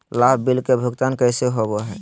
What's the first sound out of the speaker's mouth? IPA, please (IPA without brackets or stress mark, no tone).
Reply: l